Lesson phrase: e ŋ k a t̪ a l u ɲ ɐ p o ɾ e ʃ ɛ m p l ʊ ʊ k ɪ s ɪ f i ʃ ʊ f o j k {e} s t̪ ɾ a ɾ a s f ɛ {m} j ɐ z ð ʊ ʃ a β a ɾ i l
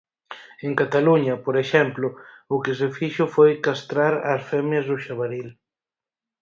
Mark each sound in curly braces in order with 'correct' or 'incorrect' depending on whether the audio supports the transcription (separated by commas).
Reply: incorrect, correct